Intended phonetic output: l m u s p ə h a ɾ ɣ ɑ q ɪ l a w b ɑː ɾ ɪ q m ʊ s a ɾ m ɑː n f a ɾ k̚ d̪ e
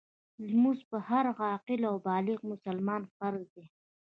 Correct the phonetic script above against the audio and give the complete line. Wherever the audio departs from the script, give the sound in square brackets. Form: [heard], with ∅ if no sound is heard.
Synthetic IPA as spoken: l m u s p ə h a ɾ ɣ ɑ q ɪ l a w b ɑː [l] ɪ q m ʊ s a [l] m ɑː n f a ɾ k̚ d̪ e